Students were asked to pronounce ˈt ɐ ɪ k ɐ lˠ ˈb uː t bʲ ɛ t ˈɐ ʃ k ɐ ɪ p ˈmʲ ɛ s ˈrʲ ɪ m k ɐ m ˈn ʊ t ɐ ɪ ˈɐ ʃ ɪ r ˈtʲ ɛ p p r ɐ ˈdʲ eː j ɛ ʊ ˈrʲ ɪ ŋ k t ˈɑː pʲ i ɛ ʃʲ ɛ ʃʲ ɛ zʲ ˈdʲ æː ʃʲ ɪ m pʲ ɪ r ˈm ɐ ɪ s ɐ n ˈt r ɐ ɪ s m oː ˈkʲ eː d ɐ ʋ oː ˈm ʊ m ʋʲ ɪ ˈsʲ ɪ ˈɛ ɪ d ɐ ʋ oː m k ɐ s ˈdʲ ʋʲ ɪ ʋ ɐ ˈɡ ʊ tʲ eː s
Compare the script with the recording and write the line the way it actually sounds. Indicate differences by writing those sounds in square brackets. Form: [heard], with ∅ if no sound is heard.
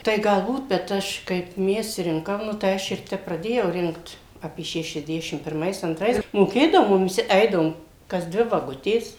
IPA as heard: ˈt ɐ ɪ [ɡ] ɐ lˠ ˈb uː t bʲ ɛ t ˈɐ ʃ k ɐ ɪ p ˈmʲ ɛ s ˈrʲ ɪ [ŋ] k ɐ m ˈn ʊ t ɐ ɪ ˈɐ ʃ ɪ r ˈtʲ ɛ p p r ɐ ˈdʲ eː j ɛ ʊ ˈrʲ ɪ ŋ k t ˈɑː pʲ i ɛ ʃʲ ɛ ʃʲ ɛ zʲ ˈdʲ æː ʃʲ ɪ m pʲ ɪ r ˈm ɐ ɪ s ɐ n ˈt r ɐ ɪ s m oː ˈkʲ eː d ɐ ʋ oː ˈm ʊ m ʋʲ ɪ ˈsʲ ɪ ˈɛ ɪ d ɐ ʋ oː m k ɐ s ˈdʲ ʋʲ ɪ ʋ ɐ ˈɡ ʊ tʲ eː s

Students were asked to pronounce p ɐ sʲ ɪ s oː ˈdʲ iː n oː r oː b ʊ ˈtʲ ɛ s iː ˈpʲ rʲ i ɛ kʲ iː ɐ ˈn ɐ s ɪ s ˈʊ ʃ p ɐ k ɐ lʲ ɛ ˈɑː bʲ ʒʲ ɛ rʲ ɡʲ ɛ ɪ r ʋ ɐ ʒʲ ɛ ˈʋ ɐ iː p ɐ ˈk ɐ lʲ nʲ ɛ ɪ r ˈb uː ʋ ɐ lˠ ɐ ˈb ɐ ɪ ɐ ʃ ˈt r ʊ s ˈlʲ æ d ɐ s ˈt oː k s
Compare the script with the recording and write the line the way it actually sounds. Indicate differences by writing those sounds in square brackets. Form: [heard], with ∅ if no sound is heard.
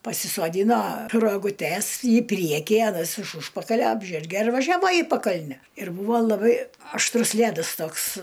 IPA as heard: p ɐ sʲ ɪ s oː ˈdʲ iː n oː r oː [ɡ] ʊ ˈtʲ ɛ s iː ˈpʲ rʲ i ɛ kʲ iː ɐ ˈn ɐ s ɪ [ʃ] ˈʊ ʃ p ɐ k ɐ lʲ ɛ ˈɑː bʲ ʒʲ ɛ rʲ ɡʲ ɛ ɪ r ʋ ɐ ʒʲ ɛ ˈʋ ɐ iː p ɐ ˈk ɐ lʲ nʲ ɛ ɪ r ˈb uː ʋ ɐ lˠ ɐ ˈb ɐ ɪ ɐ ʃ ˈt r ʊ s ˈlʲ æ d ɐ s ˈt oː k s

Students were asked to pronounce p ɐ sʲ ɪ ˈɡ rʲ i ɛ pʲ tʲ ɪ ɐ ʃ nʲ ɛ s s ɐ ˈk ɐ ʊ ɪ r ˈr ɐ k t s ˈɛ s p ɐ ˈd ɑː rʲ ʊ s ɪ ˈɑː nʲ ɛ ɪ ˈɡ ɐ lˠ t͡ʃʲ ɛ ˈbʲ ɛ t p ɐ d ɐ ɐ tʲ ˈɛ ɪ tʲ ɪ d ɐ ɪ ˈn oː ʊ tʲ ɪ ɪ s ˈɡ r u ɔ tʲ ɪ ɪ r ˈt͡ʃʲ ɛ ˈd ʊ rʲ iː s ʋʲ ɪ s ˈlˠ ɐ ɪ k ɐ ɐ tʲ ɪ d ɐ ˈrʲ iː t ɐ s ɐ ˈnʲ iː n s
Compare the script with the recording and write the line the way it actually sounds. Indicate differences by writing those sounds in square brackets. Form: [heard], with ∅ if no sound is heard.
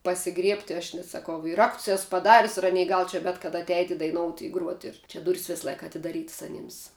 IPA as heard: p ɐ sʲ ɪ ˈɡ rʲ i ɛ pʲ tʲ ɪ ɐ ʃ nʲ ɛ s s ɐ ˈk ɐ ʊ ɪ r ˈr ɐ k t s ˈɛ s p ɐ ˈd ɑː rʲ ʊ s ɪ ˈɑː nʲ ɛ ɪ ˈɡ ɐ lˠ t͡ʃʲ ɛ ˈbʲ ɛ t [k] ɐ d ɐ ɐ tʲ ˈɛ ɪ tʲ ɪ d ɐ ɪ ˈn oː ʊ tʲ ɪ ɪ [∅] ˈɡ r u ɔ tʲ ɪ ɪ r ˈt͡ʃʲ ɛ ˈd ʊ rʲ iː s ʋʲ ɪ s ˈlˠ ɐ ɪ k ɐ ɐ tʲ ɪ d ɐ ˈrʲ iː t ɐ s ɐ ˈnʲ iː [m] s

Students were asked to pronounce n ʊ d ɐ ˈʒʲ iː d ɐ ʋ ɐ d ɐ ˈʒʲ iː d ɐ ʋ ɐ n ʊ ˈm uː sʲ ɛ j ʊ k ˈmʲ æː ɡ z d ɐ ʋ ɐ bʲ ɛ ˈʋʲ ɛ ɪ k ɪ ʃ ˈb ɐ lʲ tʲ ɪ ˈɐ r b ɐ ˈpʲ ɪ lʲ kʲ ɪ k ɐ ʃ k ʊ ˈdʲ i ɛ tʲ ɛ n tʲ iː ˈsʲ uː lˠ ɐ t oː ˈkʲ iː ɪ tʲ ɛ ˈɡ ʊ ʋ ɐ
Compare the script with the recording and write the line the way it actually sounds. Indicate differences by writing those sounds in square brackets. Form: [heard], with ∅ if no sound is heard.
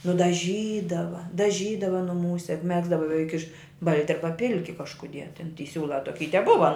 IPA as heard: n ʊ d ɐ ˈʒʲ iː d ɐ ʋ ɐ d ɐ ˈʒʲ iː d ɐ ʋ ɐ n ʊ ˈm uː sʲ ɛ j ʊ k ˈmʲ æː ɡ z d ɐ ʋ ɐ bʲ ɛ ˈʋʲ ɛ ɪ k ɪ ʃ ˈb ɐ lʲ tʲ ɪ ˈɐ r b ɐ ˈpʲ ɪ lʲ kʲ ɪ k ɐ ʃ k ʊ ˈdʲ i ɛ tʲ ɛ n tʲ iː ˈsʲ uː lˠ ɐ t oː ˈkʲ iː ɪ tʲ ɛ [ˈb] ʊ ʋ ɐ

